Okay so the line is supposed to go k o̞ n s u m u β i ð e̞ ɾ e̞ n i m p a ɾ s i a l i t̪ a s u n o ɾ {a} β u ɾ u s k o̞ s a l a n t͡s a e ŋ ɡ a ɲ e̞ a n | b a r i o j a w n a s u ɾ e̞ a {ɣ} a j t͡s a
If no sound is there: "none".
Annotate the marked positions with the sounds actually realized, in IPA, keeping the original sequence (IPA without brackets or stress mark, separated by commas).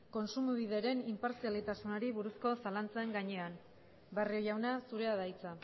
i, ð